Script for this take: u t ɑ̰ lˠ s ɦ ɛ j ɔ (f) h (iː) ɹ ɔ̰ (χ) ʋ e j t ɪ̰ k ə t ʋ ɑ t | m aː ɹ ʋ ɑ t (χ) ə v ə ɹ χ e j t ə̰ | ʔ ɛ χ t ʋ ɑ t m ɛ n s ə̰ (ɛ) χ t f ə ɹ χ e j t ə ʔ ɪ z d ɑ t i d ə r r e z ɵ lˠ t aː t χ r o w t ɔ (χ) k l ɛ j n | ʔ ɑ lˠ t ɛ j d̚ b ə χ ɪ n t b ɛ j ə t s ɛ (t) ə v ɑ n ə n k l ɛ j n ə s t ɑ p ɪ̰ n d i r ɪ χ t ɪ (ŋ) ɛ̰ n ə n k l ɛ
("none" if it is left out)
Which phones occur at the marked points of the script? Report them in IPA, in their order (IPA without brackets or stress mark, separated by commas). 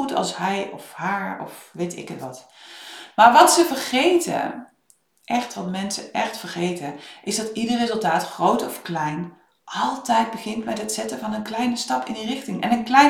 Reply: f, aː, f, s, ɛ, f, t, ŋ